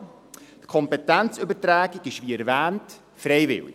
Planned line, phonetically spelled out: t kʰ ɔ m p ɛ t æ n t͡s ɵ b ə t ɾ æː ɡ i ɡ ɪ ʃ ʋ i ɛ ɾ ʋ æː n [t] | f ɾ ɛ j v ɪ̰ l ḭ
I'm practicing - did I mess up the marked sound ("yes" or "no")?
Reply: no